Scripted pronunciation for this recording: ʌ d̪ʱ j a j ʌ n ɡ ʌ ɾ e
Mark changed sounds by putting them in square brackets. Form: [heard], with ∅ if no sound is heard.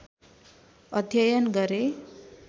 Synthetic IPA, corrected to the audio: ʌ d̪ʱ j [ʌ] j ʌ n ɡ ʌ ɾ e